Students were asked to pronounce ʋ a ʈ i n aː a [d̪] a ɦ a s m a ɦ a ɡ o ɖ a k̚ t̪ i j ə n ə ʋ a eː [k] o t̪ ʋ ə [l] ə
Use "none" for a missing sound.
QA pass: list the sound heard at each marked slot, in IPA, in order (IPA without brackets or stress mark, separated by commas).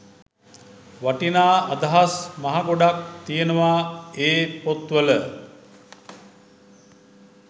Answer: d̪, p, l